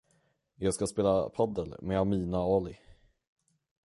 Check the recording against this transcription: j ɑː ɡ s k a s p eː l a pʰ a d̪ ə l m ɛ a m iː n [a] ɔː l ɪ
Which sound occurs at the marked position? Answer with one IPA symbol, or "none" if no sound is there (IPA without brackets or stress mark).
a